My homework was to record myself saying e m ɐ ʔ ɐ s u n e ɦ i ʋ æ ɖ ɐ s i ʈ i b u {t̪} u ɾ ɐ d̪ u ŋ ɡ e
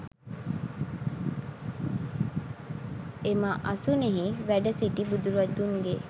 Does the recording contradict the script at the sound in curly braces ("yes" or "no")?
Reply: yes